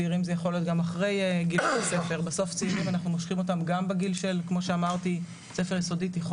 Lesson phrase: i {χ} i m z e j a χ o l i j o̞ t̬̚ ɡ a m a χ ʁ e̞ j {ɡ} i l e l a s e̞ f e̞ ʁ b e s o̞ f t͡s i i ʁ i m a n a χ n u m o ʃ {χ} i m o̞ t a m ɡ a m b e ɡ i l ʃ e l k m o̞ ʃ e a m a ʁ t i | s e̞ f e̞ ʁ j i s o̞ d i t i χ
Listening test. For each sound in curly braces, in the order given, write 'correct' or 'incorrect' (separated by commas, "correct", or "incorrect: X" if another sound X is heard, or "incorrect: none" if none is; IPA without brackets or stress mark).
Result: incorrect: ʁ, correct, correct